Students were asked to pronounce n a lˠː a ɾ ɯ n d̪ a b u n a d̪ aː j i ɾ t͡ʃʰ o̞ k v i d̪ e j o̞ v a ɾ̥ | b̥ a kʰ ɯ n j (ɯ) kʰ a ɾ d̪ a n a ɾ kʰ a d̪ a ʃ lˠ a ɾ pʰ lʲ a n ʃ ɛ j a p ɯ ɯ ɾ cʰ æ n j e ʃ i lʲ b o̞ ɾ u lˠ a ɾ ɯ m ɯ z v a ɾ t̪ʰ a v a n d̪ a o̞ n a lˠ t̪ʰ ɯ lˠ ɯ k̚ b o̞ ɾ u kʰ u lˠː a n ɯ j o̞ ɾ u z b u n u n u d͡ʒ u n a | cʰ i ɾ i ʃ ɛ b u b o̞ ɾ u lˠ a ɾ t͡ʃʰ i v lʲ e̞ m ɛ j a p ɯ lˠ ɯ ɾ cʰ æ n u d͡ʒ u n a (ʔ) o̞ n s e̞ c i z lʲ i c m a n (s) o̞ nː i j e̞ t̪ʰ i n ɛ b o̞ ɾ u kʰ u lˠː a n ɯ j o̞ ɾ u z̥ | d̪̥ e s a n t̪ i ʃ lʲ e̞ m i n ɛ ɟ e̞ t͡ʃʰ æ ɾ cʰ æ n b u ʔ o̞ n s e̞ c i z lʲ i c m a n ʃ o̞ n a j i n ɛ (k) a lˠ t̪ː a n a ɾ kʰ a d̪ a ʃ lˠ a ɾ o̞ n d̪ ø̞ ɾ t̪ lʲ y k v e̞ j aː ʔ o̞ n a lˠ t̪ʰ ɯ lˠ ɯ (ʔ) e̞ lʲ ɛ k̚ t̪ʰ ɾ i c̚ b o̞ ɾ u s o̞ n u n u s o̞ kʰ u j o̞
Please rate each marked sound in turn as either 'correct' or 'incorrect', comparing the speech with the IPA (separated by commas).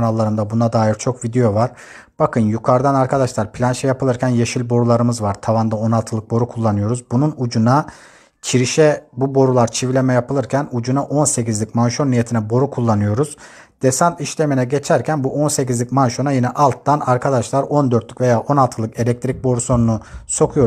incorrect, correct, incorrect, incorrect, incorrect